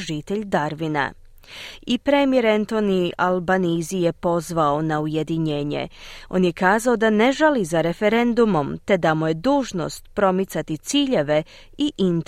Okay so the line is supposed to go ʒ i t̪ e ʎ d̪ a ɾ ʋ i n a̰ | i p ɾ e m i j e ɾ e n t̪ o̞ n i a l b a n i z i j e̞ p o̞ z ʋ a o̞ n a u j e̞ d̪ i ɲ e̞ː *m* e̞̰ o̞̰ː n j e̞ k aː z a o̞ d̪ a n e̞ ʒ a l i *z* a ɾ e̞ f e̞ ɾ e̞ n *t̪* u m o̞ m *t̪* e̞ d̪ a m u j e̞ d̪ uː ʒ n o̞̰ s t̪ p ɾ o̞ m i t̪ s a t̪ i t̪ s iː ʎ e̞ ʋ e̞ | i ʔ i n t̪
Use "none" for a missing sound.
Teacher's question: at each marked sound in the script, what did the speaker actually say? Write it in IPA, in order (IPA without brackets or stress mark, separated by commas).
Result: ɲ, z, d̪, t̪